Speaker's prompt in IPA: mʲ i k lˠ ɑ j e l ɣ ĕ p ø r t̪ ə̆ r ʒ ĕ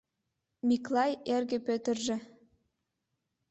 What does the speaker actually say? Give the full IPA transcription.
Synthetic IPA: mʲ i k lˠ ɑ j e r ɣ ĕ p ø t̪ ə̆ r ʒ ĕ